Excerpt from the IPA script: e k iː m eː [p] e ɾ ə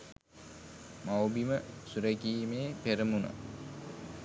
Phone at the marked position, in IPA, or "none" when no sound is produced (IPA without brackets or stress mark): p